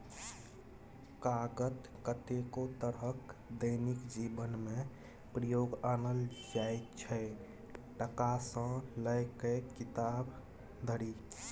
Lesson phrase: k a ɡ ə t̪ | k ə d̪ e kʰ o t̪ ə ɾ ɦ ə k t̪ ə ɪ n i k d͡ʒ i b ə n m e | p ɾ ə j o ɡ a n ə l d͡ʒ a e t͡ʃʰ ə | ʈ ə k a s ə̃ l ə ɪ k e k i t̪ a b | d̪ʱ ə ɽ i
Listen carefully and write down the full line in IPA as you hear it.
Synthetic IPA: k a ɡ ə t̪ | k ə t̪ e k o t̪ ə ɾ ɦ ə k d̪ ə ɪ n i k d͡ʒ i b ə n m e | p ɾ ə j o ɡ a n ə l d͡ʒ a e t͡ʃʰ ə | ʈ ə k a s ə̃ l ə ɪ k e k i t̪ a b | d̪ʱ ə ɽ i